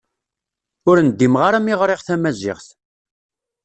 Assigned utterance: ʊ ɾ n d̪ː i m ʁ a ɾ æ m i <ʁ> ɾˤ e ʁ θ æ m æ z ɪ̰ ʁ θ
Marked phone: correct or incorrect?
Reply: correct